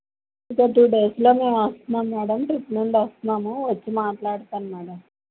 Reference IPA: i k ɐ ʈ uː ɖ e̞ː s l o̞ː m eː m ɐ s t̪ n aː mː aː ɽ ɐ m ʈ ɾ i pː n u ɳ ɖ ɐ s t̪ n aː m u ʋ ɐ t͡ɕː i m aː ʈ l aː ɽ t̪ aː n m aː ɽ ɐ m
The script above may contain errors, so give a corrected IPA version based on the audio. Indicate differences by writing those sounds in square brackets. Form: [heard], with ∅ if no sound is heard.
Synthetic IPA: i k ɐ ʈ uː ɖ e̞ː s l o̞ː m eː m ɐ s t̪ n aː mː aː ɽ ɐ m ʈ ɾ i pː n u ɳ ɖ ɐ s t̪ n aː m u ʋ ɐ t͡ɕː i m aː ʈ l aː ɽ t̪ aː n m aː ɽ ɐ m